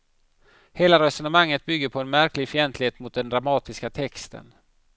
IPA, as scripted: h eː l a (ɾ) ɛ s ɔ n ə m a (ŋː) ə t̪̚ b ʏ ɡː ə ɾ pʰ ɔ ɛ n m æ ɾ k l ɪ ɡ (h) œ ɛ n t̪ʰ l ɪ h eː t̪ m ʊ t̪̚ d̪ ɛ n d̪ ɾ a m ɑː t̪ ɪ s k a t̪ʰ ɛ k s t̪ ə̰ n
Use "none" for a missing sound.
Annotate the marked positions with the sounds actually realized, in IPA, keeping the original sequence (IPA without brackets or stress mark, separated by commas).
ɾ, ŋː, f